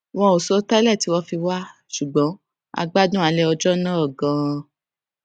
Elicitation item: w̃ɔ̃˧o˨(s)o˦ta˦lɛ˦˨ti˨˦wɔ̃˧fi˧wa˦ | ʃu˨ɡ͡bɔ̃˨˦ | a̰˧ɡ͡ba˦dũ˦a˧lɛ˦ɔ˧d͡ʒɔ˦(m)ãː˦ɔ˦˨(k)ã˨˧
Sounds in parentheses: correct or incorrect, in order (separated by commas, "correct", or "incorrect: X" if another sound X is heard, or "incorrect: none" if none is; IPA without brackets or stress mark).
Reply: correct, incorrect: n, incorrect: ɡ